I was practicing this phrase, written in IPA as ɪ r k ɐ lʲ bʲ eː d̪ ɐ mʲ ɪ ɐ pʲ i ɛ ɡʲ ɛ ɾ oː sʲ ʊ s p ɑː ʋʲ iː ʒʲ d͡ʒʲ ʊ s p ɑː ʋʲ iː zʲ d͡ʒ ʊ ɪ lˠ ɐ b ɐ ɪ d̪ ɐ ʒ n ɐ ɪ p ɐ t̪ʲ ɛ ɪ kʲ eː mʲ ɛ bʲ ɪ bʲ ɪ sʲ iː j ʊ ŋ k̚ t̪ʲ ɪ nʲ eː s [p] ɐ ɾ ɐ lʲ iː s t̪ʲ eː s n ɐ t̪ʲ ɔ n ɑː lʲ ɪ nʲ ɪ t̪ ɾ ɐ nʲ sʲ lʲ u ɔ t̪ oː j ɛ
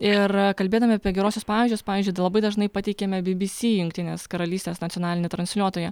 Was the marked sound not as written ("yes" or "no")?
yes